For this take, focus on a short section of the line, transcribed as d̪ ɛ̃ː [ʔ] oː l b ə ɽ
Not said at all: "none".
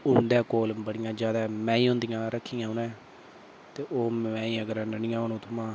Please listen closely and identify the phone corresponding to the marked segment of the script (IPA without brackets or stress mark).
k